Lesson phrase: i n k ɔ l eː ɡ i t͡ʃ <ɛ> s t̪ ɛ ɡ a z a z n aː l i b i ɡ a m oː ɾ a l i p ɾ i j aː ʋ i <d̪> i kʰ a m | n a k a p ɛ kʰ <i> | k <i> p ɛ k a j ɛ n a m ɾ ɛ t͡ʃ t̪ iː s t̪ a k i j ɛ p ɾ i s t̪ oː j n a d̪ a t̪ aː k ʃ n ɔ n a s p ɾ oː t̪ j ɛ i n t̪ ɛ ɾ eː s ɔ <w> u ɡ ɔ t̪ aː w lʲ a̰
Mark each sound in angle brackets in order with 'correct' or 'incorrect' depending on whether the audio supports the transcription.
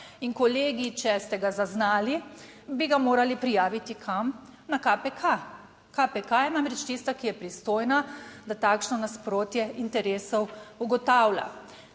correct, incorrect: t̪, incorrect: a, incorrect: a, correct

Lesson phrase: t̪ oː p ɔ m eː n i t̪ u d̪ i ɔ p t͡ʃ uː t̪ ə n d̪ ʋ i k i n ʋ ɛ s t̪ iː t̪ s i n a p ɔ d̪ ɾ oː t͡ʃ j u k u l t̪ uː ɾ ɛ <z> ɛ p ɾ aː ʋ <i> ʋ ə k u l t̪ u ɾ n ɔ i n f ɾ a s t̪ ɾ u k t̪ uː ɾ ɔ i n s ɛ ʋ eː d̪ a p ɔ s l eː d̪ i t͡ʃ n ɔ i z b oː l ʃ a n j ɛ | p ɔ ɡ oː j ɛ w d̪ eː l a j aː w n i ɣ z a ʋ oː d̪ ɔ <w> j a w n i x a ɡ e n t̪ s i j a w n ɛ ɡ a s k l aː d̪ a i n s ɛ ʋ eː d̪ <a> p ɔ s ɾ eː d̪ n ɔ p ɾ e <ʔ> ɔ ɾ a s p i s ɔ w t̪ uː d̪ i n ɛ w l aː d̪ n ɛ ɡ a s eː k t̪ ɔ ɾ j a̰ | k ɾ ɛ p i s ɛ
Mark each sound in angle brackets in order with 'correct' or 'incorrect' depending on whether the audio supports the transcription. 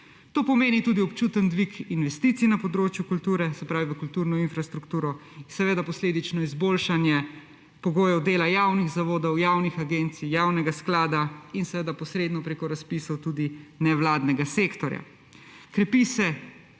incorrect: s, correct, correct, correct, incorrect: k

